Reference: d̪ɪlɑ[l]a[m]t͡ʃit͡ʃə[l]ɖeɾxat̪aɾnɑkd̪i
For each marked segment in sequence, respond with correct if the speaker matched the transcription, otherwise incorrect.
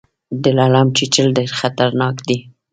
correct, correct, correct

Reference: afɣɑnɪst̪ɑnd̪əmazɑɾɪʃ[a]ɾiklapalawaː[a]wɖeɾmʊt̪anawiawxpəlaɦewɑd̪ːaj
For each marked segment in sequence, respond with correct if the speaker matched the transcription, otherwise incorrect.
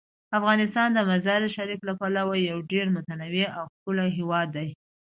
correct, correct

